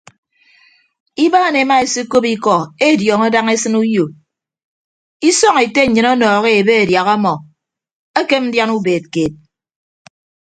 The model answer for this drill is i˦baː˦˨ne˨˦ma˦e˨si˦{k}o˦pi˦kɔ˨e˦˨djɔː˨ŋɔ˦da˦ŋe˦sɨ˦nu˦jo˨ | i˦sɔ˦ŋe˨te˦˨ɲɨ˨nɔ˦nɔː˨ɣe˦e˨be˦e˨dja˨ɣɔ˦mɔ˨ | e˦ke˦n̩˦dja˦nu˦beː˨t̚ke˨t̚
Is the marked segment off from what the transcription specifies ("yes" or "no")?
no